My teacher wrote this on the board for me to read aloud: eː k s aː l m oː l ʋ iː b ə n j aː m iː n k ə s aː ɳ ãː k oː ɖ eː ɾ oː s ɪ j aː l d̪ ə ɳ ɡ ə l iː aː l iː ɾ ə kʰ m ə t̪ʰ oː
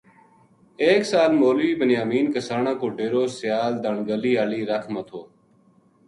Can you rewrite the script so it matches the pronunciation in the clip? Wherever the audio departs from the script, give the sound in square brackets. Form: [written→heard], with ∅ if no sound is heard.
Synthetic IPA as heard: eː k s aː l m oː l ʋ iː b ə n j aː m iː n k ə s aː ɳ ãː k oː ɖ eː ɾ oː s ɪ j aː l d̪ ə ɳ ɡ ə l iː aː l iː ɾ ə kʰ m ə t̪ʰ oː